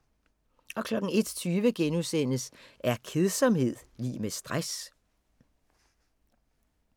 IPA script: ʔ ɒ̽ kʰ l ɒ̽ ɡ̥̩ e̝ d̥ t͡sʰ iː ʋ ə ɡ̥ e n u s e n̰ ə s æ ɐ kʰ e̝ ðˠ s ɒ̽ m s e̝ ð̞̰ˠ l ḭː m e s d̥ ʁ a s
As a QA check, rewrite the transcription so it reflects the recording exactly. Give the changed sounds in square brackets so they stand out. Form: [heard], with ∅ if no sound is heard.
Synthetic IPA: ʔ ɒ̽ kʰ l ɒ̽ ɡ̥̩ e̝ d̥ t͡sʰ [yː] ʋ ə ɡ̥ e n u s e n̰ ə s æ ɐ kʰ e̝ ðˠ s ɒ̽ m [h] e̝ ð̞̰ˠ l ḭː m e s d̥ ʁ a s

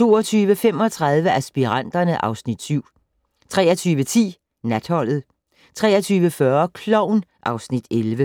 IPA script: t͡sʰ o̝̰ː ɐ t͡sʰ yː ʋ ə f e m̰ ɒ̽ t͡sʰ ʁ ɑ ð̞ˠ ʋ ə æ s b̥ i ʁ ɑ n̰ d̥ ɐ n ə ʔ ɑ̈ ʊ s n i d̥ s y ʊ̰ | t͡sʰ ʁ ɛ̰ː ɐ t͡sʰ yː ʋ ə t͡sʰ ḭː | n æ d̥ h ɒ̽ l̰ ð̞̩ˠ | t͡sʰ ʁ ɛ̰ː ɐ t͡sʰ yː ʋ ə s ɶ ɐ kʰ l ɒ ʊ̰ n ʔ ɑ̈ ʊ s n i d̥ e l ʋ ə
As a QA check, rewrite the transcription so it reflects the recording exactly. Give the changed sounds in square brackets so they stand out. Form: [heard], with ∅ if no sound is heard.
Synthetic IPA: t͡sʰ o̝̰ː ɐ t͡sʰ yː ʋ ə f e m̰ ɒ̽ t͡sʰ ʁ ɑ ð̞ˠ ʋ ə æ s b̥ i ʁ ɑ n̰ d̥ ɐ n ə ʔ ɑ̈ ʊ s n i d̥ s y ʊ̰ | t͡sʰ ʁ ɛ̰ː ɐ t͡sʰ yː ʋ ə t͡sʰ ḭː | n æ d̥ h ɒ̽ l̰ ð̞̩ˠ | t͡sʰ ʁ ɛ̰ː ɐ t͡sʰ yː ʋ ə [f] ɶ ɐ kʰ l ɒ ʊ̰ n ʔ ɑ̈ ʊ s n i d̥ e l ʋ ə

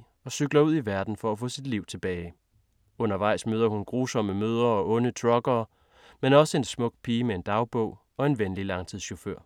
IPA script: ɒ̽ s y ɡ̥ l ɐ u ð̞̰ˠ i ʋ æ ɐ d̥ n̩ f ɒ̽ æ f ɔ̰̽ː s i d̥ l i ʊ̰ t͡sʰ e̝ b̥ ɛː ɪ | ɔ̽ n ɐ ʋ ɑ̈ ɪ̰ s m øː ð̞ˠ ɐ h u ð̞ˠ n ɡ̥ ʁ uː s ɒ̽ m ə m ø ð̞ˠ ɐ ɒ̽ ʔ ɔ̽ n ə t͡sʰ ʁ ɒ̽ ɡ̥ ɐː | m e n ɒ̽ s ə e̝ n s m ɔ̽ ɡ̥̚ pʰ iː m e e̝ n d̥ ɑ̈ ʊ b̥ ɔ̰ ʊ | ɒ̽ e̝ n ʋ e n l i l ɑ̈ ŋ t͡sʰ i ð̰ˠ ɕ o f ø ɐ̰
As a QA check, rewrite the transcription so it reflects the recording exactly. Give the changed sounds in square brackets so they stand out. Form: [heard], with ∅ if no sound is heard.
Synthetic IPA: ɒ̽ s y ɡ̥ l ɐ u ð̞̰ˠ i ʋ æ ɐ d̥ n̩ f ɒ̽ æ f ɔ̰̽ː s i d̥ l i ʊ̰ t͡sʰ e̝ b̥ ɛː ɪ | ɔ̽ n ɐ ʋ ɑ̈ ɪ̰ s m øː ð̞ˠ ɐ h u [∅] n ɡ̥ ʁ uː s ɒ̽ m ə m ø ð̞ˠ ɐ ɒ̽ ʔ ɔ̽ n ə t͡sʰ ʁ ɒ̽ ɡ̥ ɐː | m e n ɒ̽ s ə e̝ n s m ɔ̽ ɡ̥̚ pʰ iː m e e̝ n d̥ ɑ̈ ʊ b̥ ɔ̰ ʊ | ɒ̽ e̝ n ʋ e n l i l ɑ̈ ŋ t͡sʰ i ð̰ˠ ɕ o f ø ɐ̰

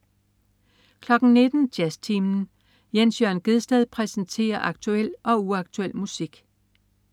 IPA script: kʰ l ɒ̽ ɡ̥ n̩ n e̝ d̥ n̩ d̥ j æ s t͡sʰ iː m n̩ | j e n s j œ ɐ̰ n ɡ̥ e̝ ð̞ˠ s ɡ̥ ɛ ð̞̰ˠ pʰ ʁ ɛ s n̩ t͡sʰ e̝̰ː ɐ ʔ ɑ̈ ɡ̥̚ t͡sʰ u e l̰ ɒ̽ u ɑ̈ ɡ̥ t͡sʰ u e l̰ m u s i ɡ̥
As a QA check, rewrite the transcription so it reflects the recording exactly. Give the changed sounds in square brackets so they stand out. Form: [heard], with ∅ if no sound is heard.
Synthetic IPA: kʰ l ɒ̽ ɡ̥ n̩ n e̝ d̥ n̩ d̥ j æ s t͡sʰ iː m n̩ | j e n s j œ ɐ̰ n ɡ̥ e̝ ð̞ˠ s [d̥] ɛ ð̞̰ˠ pʰ ʁ ɛ s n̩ t͡sʰ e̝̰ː ɐ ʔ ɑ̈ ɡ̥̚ t͡sʰ u e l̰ ɒ̽ u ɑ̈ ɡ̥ t͡sʰ u e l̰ m u s i ɡ̥

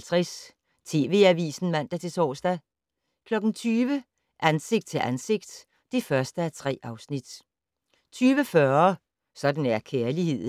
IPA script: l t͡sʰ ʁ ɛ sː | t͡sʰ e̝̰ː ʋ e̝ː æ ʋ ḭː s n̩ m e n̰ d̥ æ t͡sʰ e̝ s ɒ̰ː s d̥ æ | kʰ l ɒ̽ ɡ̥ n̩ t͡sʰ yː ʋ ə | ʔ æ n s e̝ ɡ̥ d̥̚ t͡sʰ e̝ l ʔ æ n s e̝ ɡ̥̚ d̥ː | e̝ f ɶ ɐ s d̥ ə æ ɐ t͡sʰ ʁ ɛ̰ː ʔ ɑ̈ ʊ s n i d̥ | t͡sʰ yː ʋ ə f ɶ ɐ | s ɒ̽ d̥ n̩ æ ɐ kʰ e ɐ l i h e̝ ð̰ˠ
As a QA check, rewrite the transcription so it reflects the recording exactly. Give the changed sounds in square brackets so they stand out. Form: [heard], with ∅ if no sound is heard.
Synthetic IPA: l t͡sʰ ʁ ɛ [s] | t͡sʰ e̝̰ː ʋ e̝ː æ ʋ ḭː s n̩ m [æ] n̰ d̥ æ t͡sʰ e̝ s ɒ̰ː s d̥ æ | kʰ l ɒ̽ ɡ̥ n̩ t͡sʰ yː ʋ ə | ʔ æ n s e̝ ɡ̥ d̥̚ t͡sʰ e̝ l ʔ æ n s e̝ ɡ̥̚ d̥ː | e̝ f ɶ ɐ s d̥ ə æ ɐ t͡sʰ ʁ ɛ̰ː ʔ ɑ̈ ʊ s n i d̥ | t͡sʰ yː ʋ ə f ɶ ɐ | s ɒ̽ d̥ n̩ æ ɐ kʰ e ɐ l i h e̝ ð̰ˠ

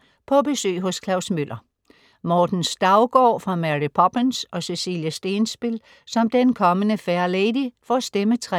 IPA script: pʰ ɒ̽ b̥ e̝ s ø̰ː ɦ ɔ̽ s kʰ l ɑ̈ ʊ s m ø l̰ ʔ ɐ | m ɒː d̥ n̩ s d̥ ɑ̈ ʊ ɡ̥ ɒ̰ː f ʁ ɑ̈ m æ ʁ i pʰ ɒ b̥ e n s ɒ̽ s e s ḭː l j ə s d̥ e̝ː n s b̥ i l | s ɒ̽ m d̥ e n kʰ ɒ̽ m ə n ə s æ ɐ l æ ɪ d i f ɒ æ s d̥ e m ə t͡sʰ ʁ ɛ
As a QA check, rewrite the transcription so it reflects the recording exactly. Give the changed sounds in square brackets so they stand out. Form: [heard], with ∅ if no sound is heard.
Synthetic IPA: pʰ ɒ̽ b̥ e̝ s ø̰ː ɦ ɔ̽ s kʰ l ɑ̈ ʊ s m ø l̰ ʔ ɐ | m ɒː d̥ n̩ s d̥ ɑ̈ ʊ ɡ̥ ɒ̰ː f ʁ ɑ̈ m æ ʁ i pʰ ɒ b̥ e n s ɒ̽ s e s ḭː l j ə s d̥ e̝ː n s b̥ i l | s ɒ̽ m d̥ e n kʰ ɒ̽ m ə n ə [f] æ ɐ l [e] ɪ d i f ɒ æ s d̥ e m ə t͡sʰ ʁ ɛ

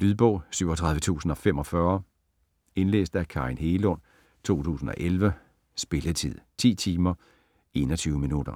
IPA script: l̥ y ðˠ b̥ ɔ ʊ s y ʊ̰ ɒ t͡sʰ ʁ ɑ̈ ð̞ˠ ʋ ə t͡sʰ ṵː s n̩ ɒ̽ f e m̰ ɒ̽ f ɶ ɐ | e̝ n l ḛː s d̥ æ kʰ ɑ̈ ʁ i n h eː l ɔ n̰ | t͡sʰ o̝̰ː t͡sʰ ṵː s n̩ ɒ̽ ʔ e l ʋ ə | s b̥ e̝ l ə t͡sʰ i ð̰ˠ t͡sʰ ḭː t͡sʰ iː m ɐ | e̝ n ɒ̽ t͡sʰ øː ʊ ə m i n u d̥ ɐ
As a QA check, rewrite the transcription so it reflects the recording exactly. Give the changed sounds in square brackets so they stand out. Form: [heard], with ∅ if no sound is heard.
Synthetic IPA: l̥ y ðˠ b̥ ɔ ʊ s y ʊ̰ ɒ t͡sʰ ʁ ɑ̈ ð̞ˠ ʋ ə t͡sʰ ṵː s n̩ ɒ̽ f e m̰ ɒ̽ f ɶ ɐ | e̝ n l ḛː s d̥ æ kʰ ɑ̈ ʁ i n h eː l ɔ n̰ | t͡sʰ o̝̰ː t͡sʰ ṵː s n̩ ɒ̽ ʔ e l ʋ ə | s b̥ e̝ l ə t͡sʰ i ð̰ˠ t͡sʰ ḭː t͡sʰ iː m ɐ | e̝ n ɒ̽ t͡sʰ [yː] ʊ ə m i n u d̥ ɐ

